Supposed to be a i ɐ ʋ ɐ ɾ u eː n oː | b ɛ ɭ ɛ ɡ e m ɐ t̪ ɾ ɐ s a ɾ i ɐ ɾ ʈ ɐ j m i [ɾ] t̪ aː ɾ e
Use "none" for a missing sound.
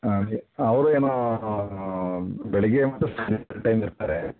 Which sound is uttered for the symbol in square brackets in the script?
ɾ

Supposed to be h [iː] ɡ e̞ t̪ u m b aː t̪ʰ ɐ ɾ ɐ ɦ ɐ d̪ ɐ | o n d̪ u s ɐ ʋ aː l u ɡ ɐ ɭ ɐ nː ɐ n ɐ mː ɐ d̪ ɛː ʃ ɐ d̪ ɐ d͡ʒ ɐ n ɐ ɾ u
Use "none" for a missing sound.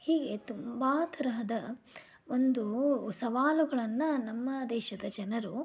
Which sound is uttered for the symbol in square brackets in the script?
iː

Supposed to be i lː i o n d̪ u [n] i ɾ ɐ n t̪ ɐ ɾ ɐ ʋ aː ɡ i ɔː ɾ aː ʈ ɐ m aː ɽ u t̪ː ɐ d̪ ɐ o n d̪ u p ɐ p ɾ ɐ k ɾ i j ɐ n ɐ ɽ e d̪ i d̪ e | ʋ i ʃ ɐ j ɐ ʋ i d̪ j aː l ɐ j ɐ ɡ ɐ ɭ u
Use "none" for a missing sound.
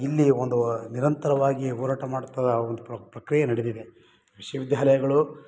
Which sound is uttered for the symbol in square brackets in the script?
n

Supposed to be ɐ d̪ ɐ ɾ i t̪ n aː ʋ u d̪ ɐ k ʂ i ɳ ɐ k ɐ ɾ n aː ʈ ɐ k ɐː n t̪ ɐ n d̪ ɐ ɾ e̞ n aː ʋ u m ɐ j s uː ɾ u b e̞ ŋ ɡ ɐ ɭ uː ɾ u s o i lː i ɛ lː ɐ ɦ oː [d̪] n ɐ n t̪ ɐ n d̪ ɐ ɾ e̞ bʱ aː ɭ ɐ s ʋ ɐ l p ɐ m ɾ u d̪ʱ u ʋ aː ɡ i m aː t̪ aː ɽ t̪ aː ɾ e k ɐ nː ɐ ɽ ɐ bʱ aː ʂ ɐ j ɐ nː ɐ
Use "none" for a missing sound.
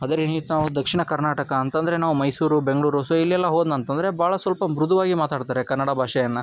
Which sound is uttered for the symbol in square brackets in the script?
d̪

